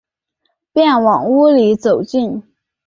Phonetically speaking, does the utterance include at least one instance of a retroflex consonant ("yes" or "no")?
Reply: no